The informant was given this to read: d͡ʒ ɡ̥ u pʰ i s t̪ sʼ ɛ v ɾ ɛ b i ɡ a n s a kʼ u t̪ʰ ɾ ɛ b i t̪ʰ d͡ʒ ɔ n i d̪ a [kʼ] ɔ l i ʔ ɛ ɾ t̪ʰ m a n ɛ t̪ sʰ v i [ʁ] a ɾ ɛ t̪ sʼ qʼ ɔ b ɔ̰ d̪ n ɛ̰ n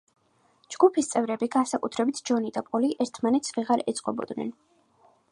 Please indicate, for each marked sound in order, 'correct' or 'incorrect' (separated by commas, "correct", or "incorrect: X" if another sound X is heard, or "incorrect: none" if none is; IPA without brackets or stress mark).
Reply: incorrect: pʼ, correct